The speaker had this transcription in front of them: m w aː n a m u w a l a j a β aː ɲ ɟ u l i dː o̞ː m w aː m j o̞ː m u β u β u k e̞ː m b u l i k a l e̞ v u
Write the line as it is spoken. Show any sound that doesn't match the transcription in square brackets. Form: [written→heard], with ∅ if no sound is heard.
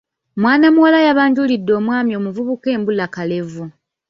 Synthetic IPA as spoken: m w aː n a m u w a l a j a β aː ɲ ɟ u l i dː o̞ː m w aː m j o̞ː m u [β→v] u β u k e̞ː m b u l [i→a] k a l e̞ v u